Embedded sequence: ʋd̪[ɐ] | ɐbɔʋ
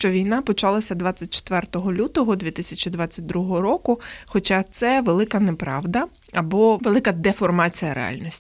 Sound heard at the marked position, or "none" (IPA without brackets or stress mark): ɐ